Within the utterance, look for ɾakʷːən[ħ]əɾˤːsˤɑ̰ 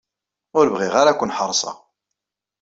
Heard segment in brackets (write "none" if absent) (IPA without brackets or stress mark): ħ